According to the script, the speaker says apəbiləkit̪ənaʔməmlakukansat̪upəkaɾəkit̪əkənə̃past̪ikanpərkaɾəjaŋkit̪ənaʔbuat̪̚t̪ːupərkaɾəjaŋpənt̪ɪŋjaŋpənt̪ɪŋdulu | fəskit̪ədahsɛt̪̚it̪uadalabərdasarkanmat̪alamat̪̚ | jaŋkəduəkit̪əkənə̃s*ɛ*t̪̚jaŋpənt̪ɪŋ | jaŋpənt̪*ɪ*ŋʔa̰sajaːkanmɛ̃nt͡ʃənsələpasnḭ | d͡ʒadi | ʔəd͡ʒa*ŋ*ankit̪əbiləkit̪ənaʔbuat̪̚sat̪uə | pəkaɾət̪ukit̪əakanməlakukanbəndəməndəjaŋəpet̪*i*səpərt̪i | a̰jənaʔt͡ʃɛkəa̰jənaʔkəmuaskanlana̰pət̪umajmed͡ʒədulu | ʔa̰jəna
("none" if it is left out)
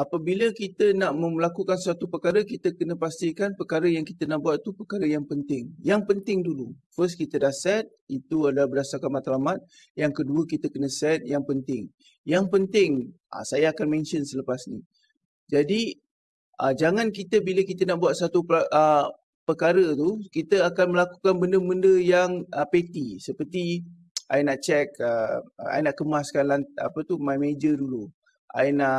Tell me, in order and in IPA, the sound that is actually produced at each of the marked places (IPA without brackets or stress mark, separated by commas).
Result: ɛ, ɪ, ŋ, i